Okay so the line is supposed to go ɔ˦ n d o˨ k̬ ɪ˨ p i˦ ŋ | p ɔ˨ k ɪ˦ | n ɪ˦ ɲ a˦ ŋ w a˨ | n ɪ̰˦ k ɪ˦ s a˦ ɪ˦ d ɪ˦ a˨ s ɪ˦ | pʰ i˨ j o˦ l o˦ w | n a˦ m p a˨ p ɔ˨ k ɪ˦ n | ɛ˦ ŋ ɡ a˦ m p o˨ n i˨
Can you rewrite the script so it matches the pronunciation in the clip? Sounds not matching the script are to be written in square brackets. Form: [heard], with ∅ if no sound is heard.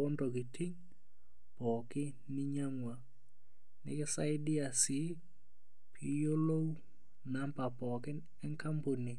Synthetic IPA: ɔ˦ n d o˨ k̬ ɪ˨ [t] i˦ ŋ | p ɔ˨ k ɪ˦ | n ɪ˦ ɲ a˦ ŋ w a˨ | n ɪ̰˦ k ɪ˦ s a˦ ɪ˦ d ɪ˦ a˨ s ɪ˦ | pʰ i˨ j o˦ l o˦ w | n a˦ m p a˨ p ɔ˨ k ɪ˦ n | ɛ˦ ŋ [k] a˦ m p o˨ n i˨

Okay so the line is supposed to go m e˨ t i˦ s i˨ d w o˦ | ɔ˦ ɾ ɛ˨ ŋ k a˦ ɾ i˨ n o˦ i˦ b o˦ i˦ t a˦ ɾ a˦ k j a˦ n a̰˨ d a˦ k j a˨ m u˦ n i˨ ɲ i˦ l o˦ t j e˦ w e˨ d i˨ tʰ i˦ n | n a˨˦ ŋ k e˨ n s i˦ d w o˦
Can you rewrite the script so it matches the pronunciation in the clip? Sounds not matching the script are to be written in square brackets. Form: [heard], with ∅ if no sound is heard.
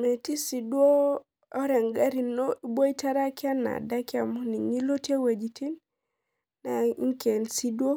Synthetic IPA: m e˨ t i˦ s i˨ d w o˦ | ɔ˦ ɾ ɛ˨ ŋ [ɡ] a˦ ɾ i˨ n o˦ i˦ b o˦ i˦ t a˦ ɾ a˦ k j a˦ n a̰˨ d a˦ k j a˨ m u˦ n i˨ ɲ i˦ l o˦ t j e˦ w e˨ [d͡ʒ] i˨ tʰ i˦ n | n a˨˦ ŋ k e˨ n s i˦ d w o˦

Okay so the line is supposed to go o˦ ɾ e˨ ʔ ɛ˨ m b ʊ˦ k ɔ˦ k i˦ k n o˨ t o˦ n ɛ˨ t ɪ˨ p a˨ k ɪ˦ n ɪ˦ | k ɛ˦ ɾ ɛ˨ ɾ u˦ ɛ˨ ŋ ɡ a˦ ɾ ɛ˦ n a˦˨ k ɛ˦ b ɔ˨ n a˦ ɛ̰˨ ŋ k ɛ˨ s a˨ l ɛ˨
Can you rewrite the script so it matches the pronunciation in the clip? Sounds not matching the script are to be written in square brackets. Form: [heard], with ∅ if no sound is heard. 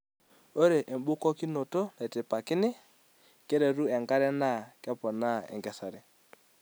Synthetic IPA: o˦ ɾ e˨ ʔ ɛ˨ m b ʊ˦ k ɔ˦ k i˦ [∅] n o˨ t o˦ n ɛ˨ t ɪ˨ p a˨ k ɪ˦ n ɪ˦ | k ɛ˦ ɾ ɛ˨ ɾ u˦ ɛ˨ ŋ ɡ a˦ ɾ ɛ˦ n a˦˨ k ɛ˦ [p] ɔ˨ n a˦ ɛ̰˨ ŋ [ɡ] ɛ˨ s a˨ [ɾ] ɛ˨

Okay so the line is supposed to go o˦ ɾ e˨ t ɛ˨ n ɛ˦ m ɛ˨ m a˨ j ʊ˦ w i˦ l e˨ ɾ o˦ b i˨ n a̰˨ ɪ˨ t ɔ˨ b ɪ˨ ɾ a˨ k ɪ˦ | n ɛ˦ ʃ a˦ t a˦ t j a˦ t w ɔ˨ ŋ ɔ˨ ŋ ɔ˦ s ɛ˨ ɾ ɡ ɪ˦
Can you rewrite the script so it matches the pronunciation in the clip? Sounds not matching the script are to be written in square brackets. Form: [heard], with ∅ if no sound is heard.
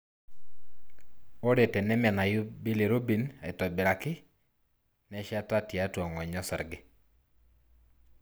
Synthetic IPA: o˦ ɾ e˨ t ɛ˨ n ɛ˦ m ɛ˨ [n] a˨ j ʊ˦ [b] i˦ l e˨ ɾ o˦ b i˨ n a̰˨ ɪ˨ t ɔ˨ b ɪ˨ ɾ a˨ k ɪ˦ | n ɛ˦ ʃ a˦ t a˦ t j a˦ t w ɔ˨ ŋ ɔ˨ [ɲ] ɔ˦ s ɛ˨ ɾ ɡ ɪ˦

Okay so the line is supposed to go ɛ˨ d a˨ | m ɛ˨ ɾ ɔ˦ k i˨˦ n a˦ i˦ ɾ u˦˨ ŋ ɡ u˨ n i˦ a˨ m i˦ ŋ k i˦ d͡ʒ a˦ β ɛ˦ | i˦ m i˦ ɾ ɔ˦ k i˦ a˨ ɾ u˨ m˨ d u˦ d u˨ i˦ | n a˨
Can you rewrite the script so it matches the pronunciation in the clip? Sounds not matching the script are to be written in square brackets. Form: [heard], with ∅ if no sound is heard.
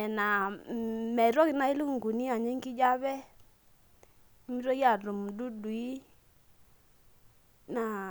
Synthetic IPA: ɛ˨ [n] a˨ | m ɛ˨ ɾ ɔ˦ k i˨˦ n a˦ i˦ [l] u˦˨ ŋ ɡ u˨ n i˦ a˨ [ɲ] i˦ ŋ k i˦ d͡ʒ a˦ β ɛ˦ | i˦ m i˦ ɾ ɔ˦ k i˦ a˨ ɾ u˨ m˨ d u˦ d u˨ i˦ | n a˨

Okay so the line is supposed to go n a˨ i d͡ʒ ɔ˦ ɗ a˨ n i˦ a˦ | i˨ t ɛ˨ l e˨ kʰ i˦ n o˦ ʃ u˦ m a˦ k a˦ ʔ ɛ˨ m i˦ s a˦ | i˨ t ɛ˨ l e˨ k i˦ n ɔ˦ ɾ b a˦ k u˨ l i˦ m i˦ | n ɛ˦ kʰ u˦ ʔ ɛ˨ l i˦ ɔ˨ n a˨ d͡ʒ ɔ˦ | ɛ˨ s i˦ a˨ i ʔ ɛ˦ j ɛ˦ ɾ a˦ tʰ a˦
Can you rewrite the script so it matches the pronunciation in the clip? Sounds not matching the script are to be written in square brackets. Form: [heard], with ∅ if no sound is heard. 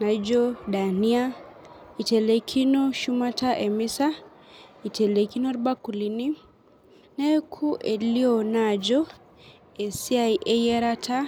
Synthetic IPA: n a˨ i d͡ʒ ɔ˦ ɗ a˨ n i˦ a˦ | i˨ t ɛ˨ l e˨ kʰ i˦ n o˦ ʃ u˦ m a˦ [t] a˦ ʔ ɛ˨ m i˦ s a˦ | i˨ t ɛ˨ l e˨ k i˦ n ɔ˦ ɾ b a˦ k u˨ l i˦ [n] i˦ | n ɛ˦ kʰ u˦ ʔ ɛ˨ l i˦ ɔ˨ n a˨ d͡ʒ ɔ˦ | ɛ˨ s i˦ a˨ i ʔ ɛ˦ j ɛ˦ ɾ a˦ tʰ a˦

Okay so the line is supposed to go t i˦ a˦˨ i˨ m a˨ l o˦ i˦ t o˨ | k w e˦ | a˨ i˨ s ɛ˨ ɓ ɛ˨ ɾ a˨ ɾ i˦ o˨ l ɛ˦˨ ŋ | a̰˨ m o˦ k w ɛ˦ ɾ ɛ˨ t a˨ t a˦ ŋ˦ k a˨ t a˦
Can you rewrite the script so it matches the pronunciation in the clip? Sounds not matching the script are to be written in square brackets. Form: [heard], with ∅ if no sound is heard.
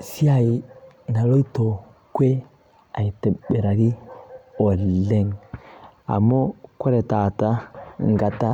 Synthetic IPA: [s] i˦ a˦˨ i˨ [n] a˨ l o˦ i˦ t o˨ | k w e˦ | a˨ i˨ [t] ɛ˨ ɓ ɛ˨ ɾ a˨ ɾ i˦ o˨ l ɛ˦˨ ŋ | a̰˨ m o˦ k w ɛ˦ ɾ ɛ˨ t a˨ t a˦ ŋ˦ [ɡ] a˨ t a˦

